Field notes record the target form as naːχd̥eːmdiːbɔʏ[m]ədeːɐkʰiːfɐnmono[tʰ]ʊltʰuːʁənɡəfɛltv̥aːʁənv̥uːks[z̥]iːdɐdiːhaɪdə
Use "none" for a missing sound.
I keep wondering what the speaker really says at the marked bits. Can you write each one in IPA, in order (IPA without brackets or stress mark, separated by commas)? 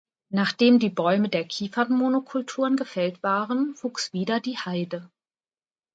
m, kʰ, v̥